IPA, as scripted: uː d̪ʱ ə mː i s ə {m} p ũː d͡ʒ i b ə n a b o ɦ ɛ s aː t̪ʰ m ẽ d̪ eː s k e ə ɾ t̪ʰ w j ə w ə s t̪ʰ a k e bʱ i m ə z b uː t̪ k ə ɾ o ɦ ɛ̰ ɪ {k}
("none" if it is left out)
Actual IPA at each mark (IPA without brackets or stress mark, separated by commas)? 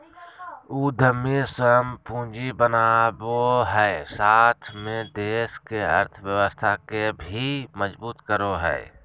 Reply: m, none